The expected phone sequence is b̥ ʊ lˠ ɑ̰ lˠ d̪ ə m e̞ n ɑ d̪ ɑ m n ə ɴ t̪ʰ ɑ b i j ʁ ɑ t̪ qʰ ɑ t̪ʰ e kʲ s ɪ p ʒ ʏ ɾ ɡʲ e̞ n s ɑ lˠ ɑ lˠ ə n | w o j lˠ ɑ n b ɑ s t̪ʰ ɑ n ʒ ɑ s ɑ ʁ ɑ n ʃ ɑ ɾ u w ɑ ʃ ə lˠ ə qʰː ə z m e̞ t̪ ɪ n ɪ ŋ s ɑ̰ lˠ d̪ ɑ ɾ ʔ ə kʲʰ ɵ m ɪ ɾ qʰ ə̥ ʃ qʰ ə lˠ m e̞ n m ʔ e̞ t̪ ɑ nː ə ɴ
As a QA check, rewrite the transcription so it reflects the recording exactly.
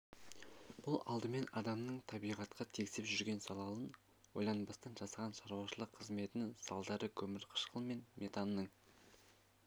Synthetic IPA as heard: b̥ ʊ lˠ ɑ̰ lˠ d̪ ə m e̞ n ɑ d̪ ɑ m n ə ɴ t̪ʰ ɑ b i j ʁ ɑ t̪ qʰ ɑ t̪ʰ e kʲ s ɪ p ʒ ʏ ɾ ɡʲ e̞ n s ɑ lˠ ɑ lˠ ə n | w o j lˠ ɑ n b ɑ s t̪ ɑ n ʒ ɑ s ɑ ʁ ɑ n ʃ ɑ ɾ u w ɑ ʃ ə lˠ ə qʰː ə z m e̞ t̪ ɪ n ɪ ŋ s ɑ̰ lˠ d̪ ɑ ɾ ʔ ə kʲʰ ɵ m ɪ ɾ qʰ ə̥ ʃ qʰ ə lˠ m e̞ n m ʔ e̞ t̪ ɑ nː ə ɴ

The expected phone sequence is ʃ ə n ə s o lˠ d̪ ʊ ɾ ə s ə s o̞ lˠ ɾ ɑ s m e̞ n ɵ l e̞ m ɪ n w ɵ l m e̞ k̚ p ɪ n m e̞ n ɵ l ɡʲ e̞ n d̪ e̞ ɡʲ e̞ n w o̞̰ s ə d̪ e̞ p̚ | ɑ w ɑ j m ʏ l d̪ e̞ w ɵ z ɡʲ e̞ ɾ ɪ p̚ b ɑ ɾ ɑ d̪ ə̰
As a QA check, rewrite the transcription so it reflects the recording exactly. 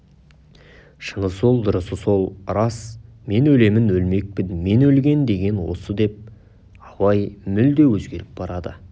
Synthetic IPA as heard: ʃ ə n ə s o lˠ d̪ ʊ ɾ ə s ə s o̞ lˠ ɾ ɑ s m e̞ n ɵ l e̞ m ɪ n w ɵ l m e̞ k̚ p ɪ n m e̞ n ɵ l ɡʲ e̞ n d̪ e̞ ɡʲ e̞ n w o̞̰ s ə d̪ e̞ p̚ | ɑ w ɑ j m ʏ l d̪ e̞ w ɵ z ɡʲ e̞ ɾ ɪ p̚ b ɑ ɾ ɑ d̪ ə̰

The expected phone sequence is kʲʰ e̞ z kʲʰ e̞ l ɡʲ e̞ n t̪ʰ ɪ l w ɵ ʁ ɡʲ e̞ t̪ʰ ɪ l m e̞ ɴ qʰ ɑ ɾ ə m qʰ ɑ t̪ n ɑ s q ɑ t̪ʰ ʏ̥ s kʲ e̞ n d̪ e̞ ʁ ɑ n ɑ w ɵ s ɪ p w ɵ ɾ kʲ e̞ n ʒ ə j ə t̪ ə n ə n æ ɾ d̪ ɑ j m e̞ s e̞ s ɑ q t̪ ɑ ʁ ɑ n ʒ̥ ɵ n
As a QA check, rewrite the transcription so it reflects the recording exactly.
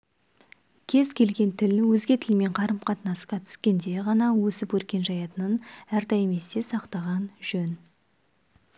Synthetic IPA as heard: kʲʰ e̞ z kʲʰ e̞ l ɡʲ e̞ n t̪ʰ ɪ l w ɵ z ɡʲ e̞ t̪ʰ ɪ l m e̞ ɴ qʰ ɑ ɾ ə m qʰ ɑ t̪ n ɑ s q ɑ t̪ʰ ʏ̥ s kʲ e̞ n d̪ e̞ ʁ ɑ n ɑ w ɵ s ɪ p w ɵ ɾ kʲ e̞ n ʒ ɑ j ɑ t̪ ə n ə n æ ɾ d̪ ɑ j m e̞ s e̞ s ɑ q t̪ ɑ ʁ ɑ n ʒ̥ ɵ n

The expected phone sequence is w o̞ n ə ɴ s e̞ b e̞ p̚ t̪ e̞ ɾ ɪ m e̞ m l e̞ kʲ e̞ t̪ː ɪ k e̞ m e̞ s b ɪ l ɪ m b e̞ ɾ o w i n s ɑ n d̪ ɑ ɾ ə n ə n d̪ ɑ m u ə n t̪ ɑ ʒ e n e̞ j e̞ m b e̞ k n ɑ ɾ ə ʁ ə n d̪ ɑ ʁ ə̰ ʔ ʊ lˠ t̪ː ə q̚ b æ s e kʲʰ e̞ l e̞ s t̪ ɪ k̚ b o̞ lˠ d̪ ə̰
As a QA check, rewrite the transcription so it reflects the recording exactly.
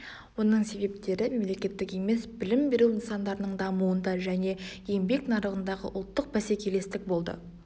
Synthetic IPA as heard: w o̞ n ə ɴ s e̞ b e̞ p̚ t̪ e̞ ɾ ɪ m e̞ m l e̞ kʲ e̞ t̪ː ɪ k e̞ m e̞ s b ɪ l ɪ m b e̞ ɾ u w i n s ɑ n d̪ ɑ ɾ ə n ə ɴ d̪ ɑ m u ə n d̪ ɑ ʒ æ n e̞ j e̞ m b e̞ k n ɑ ɾ ə ʁ ə n d̪ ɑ ʁ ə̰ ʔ ʊ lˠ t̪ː ə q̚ b æ s e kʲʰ e̞ l e̞ s t̪ ɪ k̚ b o̞ lˠ d̪ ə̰

